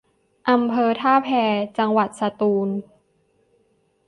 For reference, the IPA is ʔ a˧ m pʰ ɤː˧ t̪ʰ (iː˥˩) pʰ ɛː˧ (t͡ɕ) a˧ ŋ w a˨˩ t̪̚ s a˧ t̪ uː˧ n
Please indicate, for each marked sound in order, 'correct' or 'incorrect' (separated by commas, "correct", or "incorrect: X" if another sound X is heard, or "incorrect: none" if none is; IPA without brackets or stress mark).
incorrect: aː˥˩, correct